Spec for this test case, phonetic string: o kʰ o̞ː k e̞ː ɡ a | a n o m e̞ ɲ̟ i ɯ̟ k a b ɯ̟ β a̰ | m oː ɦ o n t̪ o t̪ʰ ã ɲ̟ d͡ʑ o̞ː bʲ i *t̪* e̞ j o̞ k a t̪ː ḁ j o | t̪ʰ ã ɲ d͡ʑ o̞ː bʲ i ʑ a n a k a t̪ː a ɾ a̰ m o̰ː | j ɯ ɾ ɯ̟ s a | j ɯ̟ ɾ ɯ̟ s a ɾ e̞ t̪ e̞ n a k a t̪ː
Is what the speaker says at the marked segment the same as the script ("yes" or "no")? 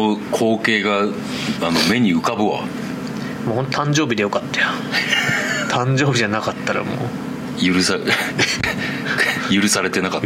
no